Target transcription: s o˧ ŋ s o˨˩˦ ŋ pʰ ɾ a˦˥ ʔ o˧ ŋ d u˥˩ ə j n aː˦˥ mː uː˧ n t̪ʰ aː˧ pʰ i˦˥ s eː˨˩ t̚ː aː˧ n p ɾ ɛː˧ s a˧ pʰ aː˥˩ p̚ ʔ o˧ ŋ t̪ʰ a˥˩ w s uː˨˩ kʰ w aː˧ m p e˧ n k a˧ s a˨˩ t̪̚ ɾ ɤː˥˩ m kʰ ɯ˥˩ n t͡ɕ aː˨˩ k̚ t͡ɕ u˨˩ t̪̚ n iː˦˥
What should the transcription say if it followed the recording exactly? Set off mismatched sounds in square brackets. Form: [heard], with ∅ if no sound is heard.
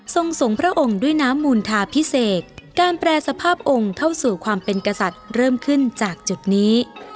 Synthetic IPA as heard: s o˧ ŋ s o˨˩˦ ŋ pʰ ɾ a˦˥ ʔ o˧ ŋ d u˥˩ ə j n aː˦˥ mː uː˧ n t̪ʰ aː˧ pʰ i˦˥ s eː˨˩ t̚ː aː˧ n p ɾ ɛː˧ s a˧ pʰ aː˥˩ p̚ ʔ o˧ ŋ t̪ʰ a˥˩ w s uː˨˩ kʰ w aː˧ m p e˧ n k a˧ s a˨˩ t̪̚ ɾ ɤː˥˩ m kʰ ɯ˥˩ n t͡ɕ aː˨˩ k̚ t͡ɕ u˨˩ t̪̚ n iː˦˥